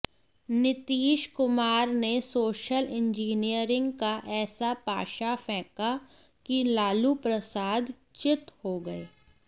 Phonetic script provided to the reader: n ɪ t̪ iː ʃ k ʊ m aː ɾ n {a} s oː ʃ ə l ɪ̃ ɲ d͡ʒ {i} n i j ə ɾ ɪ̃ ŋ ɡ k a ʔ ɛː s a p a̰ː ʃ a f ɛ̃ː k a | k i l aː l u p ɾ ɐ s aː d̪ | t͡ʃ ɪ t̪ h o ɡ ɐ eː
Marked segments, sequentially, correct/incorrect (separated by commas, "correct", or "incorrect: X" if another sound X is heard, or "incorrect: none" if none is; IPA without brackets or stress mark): incorrect: e, incorrect: iː